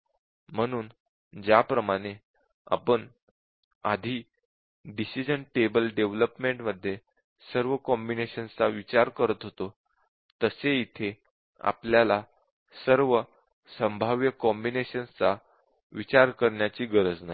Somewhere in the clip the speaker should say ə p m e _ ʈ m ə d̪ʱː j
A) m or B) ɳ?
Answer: B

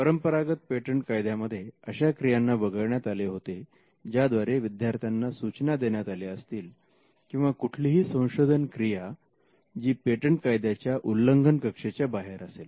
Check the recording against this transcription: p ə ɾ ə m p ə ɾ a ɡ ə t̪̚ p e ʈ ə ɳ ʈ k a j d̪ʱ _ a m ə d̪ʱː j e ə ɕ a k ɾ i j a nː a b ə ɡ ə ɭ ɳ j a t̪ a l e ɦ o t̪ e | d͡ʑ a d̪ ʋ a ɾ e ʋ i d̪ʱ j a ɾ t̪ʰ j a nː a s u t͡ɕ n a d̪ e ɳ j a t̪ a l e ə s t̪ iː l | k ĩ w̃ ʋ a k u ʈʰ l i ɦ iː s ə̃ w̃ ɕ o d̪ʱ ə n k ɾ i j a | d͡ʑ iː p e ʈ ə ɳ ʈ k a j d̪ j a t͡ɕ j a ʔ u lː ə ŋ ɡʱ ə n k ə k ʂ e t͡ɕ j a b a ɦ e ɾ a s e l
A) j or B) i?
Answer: A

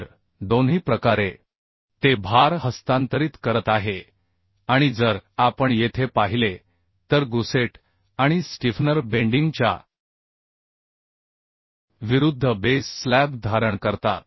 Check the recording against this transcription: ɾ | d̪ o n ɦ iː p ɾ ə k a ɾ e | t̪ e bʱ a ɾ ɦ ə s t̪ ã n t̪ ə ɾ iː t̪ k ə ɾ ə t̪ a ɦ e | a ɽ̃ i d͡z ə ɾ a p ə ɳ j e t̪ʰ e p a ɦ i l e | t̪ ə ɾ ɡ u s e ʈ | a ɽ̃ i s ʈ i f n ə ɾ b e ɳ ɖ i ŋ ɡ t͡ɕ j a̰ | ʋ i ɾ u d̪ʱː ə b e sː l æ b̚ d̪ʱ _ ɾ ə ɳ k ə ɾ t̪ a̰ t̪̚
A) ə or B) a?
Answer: B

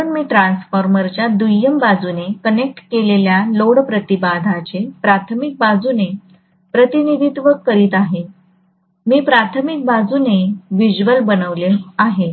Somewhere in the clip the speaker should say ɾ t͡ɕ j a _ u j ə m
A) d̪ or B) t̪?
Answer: A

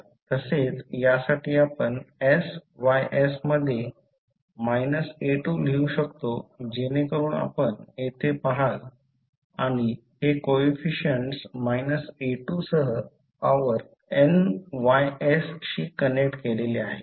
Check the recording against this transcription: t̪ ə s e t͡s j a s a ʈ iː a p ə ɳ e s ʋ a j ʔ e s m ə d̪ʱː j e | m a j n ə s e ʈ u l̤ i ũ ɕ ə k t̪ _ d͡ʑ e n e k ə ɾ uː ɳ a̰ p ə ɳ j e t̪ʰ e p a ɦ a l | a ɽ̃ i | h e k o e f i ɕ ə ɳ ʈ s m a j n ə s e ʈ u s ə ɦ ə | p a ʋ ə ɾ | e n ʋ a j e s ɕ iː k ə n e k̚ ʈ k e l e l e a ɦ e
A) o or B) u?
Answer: A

